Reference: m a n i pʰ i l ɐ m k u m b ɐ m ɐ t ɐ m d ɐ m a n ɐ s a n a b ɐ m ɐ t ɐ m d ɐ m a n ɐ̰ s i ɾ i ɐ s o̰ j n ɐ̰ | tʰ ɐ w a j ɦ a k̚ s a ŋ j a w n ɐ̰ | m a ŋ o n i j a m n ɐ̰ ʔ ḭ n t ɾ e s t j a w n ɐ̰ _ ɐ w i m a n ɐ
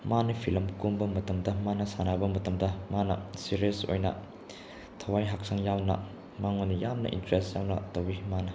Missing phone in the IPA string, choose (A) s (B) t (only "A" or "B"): B